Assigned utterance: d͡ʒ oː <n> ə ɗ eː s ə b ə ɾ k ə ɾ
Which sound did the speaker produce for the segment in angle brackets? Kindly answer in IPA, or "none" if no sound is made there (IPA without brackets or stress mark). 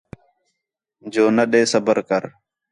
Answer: n